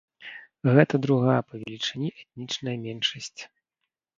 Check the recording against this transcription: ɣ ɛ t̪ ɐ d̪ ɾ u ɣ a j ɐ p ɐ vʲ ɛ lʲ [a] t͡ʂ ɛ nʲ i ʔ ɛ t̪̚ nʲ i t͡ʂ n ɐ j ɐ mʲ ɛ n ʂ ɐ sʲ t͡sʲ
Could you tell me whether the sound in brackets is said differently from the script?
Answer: yes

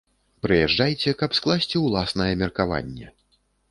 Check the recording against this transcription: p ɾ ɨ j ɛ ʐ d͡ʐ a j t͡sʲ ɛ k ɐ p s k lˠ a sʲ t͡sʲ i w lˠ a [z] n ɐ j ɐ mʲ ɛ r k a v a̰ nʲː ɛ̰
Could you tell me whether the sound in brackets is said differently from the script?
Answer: yes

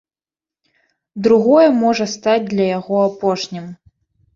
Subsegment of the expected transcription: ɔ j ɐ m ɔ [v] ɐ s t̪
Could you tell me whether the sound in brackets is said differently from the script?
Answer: yes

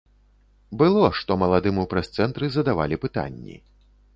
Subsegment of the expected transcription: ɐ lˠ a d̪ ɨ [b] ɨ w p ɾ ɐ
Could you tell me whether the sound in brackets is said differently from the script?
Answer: yes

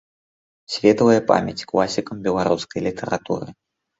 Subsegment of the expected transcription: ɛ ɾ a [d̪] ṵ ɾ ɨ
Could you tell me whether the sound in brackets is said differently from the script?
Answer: yes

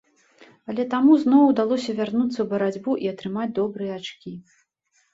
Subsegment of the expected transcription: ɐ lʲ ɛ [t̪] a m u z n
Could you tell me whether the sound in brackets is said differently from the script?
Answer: no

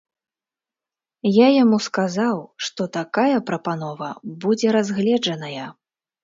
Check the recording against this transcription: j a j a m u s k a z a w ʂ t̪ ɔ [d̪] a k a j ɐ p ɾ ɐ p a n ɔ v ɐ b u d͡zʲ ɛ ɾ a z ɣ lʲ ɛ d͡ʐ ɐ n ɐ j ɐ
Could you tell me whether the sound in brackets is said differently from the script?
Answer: yes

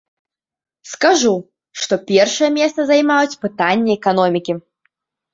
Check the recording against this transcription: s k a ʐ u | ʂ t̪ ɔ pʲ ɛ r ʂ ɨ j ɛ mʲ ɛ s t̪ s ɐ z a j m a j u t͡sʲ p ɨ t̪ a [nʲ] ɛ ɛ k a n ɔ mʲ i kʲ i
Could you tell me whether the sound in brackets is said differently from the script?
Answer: yes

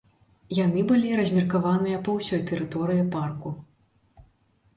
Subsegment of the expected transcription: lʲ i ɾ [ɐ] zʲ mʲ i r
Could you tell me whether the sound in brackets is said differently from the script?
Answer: no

